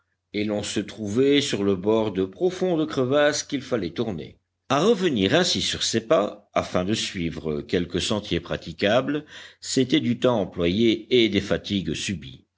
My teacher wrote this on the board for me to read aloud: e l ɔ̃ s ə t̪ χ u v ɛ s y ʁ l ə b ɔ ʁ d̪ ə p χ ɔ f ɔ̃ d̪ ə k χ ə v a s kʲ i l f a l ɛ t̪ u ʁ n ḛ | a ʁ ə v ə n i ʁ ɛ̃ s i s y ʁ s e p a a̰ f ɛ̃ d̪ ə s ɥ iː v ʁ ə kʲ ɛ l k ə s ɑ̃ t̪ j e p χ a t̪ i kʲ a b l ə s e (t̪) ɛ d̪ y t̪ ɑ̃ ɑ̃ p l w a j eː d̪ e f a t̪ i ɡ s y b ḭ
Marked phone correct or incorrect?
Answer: correct